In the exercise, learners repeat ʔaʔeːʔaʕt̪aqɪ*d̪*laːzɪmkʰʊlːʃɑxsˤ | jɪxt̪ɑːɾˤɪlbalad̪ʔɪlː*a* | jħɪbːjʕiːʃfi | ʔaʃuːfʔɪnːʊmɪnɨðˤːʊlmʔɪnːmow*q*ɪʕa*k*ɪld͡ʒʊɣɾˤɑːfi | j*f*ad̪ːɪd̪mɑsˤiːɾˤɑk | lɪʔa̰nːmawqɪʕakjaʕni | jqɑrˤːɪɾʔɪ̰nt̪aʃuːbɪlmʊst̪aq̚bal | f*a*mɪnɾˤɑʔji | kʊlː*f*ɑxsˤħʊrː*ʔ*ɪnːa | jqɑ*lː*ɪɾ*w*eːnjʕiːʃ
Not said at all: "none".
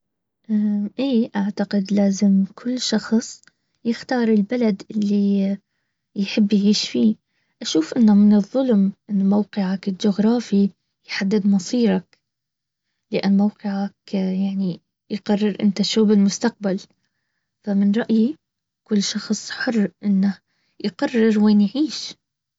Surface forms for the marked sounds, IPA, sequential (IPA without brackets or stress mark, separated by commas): d̪, i, q, k, ħ, a, ʃ, ʔ, rː, w